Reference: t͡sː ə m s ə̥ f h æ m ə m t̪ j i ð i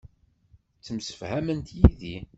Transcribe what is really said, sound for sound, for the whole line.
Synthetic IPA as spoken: t͡sː ə m s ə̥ f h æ m ə n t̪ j i ð i